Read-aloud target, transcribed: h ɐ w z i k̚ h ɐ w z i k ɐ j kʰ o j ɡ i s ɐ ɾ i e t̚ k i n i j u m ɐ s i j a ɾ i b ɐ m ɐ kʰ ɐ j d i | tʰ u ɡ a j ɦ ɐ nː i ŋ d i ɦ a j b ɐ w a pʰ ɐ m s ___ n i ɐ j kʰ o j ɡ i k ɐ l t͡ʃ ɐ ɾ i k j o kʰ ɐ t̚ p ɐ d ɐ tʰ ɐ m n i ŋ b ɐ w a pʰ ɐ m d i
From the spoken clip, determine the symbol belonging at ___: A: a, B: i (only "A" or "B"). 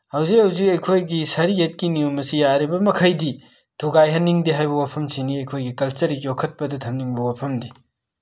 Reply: B